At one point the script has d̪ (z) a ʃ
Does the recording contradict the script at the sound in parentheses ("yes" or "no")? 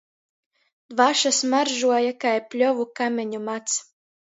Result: yes